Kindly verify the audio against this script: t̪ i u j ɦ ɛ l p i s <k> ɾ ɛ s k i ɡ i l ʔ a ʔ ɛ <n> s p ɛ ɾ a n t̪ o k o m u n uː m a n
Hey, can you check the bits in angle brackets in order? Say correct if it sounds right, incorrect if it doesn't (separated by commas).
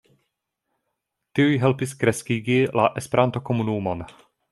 correct, incorrect